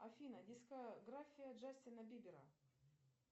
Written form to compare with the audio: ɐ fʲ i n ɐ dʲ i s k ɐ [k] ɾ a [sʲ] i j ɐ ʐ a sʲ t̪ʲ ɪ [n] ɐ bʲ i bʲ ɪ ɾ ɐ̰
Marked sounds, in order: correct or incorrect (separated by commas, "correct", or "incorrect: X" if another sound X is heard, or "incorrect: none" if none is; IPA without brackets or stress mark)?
incorrect: ɡ, incorrect: fʲ, correct